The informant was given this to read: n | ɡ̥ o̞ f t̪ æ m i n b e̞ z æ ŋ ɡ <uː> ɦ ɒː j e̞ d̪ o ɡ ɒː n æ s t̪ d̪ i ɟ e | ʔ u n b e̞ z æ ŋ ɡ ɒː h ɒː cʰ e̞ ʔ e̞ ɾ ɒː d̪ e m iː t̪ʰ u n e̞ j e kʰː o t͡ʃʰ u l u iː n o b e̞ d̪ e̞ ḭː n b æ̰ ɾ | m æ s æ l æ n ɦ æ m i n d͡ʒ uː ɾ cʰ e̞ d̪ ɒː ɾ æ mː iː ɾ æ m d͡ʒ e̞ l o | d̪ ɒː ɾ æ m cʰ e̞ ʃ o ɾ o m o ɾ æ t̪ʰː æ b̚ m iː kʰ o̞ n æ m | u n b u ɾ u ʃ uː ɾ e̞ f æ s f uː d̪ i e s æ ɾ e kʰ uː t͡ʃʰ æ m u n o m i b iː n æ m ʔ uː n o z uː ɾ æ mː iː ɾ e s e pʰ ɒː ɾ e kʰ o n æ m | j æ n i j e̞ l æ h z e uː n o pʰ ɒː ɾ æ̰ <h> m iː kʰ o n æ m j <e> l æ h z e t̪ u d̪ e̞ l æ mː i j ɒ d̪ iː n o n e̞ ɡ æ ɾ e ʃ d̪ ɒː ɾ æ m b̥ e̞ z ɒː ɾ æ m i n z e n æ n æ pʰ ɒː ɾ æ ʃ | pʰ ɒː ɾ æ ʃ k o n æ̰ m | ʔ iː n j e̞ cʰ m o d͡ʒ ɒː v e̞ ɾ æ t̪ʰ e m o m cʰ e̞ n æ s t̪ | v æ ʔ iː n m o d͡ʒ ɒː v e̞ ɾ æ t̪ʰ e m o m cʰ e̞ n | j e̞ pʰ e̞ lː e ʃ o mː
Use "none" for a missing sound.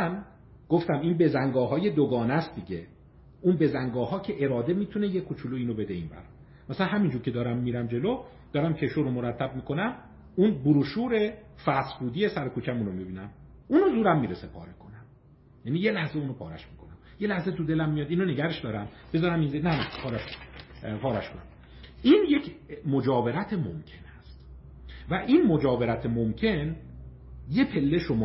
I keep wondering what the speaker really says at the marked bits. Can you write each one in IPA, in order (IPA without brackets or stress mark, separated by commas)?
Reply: ɒː, ʃ, e